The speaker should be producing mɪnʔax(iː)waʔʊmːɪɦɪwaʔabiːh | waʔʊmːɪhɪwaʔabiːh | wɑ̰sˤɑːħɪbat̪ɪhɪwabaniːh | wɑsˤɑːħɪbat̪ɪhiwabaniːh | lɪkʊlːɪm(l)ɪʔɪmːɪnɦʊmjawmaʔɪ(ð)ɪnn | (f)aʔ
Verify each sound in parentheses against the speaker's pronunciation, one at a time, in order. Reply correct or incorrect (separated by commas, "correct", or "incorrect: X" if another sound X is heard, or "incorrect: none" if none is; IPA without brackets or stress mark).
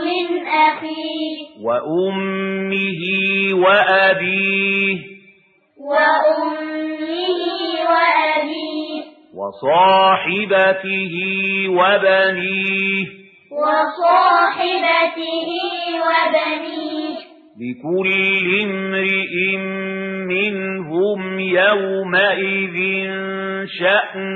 correct, incorrect: ɾ, correct, incorrect: ʃ